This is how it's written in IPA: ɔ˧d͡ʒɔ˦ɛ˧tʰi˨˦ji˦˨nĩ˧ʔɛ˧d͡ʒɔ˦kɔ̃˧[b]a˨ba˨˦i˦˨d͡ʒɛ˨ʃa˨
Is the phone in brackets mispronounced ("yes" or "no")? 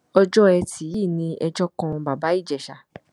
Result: no